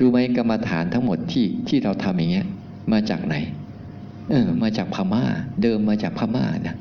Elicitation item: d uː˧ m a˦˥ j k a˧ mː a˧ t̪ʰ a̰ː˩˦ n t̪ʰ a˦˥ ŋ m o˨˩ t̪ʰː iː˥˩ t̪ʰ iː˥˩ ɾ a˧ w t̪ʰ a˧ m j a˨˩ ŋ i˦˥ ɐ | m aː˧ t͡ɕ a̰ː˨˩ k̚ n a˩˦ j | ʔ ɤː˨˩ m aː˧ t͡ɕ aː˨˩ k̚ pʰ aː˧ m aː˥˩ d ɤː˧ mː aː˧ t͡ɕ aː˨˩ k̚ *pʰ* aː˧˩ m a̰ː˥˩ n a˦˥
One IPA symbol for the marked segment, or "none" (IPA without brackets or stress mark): pʰ